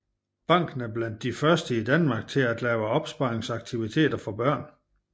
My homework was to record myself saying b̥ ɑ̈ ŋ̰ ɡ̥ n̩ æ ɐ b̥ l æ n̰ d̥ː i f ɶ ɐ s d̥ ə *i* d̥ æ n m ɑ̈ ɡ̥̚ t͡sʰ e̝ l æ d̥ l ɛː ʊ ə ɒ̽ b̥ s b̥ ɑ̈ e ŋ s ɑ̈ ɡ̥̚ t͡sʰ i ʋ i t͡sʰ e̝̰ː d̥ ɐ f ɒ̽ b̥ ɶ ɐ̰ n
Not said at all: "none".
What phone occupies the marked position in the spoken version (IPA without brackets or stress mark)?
i